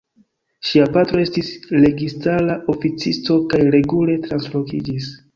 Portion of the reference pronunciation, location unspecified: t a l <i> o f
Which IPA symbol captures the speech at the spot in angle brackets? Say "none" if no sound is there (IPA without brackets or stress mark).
a